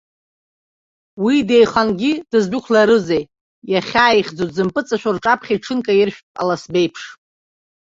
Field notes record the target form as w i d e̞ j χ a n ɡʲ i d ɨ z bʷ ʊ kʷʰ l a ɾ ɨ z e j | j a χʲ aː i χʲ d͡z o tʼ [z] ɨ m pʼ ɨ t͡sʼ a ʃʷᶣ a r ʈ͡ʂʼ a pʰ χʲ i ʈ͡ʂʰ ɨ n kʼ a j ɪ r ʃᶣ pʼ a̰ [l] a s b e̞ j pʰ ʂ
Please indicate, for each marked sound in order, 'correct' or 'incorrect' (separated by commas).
correct, correct